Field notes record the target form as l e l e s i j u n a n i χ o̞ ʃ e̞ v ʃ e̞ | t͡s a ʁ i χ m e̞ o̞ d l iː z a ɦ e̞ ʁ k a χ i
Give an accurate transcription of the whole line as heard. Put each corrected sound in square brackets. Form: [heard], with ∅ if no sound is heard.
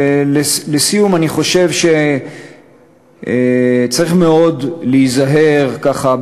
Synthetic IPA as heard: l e l e s i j u [m] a n i χ o̞ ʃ e̞ v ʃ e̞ | t͡s a ʁ i χ m e̞ o̞ d l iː z a ɦ e̞ ʁ k a χ [a]

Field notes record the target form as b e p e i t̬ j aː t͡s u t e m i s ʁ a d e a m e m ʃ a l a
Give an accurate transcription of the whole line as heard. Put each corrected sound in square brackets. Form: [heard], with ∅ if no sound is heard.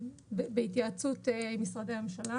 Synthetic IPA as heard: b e [b] e i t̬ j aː t͡s u t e m i s ʁ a d e a m e m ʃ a l a

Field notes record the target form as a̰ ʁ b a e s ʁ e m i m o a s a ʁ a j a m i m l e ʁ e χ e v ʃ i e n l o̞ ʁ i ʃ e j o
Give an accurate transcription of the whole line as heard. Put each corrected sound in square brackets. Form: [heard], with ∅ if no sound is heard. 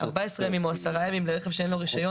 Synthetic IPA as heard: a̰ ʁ b a e s ʁ e m i m o a s a ʁ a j a m i m l e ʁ e χ e v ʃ [e] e n l o̞ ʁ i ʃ [a] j o

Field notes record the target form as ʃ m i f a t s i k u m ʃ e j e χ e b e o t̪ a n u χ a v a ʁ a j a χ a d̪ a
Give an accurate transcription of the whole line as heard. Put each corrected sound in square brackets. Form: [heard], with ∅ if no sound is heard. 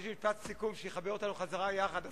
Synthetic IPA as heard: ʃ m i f a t s i k u m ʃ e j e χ [a] b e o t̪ a n u χ a [z] a ʁ a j a χ a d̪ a

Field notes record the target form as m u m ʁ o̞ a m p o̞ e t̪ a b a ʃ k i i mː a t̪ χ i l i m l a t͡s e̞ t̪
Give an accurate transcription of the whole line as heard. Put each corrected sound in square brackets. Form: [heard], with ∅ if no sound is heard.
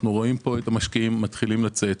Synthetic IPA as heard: [n] u [∅] ʁ o̞ [i] m p o̞ e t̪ a [m] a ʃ k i i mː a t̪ χ i l i m l a t͡s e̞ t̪

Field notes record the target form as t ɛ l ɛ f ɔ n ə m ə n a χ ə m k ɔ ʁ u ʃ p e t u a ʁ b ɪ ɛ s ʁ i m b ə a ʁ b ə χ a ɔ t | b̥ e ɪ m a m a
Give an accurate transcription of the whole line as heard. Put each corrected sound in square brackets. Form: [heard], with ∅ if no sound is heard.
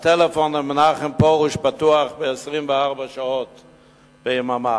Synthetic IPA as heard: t ɛ l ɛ f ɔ n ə m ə n a χ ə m [p] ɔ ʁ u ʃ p [a] t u a [χ] b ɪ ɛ s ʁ i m [v] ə a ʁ b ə [ʃ] a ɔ t | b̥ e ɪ m a m a

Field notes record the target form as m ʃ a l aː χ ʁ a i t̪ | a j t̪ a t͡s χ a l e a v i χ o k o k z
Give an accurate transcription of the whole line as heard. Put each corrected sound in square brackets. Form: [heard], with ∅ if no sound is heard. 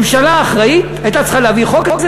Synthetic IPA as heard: m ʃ a l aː χ ʁ a i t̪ | a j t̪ a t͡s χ a l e a v i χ o k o k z

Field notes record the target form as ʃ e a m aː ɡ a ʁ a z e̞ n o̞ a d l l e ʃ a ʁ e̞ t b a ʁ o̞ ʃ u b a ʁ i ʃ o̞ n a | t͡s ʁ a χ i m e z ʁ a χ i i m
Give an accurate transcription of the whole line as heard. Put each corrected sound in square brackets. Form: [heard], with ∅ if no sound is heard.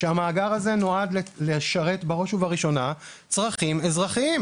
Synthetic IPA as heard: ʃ e a m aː ɡ a ʁ a z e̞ n o̞ a d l l e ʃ a ʁ e̞ t b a ʁ o̞ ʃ u [v] a ʁ i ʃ o̞ n a | t͡s ʁ a χ i m e z ʁ a χ i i m

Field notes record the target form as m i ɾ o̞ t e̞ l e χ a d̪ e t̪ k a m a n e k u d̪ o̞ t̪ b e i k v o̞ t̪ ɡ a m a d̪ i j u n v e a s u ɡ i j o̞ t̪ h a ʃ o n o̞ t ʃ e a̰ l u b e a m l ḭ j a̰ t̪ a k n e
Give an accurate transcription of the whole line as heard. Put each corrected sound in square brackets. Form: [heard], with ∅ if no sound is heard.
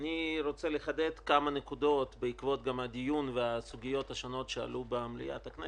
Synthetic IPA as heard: [n] i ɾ o̞ [t͡s] e̞ l e χ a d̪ e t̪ k a m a n e k u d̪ o̞ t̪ b e i k v o̞ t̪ ɡ a m a d̪ i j u n v e a s u ɡ i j o̞ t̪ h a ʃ o n o̞ t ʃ e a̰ l u b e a m l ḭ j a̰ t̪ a k n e

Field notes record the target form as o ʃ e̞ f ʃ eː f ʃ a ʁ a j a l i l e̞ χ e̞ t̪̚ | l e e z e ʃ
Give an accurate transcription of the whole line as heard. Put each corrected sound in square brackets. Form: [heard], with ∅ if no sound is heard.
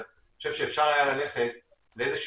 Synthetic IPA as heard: o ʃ e̞ [v] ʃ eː f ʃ a ʁ a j a l [a] l e̞ χ e̞ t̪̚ | l e e z e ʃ

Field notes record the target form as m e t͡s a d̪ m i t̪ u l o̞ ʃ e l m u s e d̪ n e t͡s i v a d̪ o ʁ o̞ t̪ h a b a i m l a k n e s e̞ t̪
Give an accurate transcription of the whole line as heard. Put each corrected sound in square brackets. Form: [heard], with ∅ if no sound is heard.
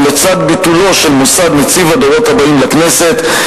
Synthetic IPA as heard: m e t͡s a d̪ [b] i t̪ u l o̞ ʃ e l m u s [a] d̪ n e t͡s i v a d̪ o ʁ o̞ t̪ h a b a i m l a k n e s e̞ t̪

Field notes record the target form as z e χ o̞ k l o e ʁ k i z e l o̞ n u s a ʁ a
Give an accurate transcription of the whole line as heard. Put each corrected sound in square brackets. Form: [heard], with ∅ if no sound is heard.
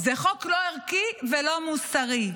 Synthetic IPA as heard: z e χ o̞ k l o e ʁ k i [v] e l o̞ [m] u s a ʁ [i]

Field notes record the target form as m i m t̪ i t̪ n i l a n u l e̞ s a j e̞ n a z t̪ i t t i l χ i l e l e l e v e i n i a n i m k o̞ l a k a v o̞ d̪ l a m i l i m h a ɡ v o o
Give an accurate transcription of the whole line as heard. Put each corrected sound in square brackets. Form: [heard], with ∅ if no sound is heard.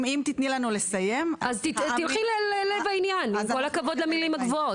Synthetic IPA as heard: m i m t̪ i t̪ n i l a n u l e̞ s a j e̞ [m] a z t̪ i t t i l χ i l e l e l e v [a] i n [j] a n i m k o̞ l a k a v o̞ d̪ l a m i l i m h a ɡ v o o

